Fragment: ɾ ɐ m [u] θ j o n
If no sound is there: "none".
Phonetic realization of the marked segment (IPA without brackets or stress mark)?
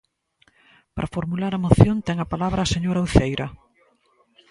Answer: o